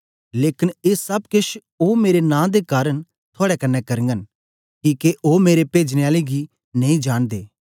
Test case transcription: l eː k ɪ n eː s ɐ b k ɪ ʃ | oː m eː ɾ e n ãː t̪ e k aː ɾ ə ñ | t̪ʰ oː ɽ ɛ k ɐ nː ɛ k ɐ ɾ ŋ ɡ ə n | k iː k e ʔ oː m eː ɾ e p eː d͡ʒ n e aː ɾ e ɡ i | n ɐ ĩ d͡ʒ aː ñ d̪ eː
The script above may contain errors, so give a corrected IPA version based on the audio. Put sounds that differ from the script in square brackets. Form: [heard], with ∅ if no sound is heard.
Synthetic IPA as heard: l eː k ɪ n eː s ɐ b k ɪ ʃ | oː m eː ɾ e n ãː [d̪] e k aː ɾ ə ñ | t̪ʰ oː ɽ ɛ k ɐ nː ɛ k ɐ ɾ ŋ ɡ ə n | k iː k e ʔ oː m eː ɾ e p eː d͡ʒ n e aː [l] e ɡ i | n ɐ ĩ d͡ʒ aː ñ d̪ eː